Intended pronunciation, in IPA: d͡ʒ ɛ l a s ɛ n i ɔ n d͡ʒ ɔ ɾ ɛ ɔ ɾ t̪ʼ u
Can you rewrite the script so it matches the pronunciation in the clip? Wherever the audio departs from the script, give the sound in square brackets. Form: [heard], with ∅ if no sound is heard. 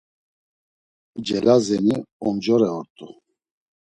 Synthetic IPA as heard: d͡ʒ ɛ l a [z] ɛ n i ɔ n d͡ʒ ɔ ɾ ɛ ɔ ɾ t̪ʼ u